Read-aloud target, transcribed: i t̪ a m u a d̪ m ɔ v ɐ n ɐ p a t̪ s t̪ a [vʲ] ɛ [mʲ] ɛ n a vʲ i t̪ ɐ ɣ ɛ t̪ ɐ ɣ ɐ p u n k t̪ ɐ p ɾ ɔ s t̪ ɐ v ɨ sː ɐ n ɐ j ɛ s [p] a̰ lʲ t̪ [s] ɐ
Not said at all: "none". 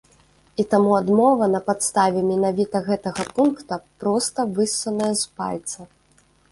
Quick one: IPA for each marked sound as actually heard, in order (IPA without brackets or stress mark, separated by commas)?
vʲ, mʲ, p, s